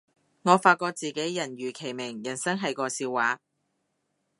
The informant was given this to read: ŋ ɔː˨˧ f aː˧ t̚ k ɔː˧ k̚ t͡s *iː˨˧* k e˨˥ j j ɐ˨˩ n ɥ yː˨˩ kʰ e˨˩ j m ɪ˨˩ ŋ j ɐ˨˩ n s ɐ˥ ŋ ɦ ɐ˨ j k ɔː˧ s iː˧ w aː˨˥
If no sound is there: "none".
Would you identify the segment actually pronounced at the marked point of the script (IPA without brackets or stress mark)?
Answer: iː˨˧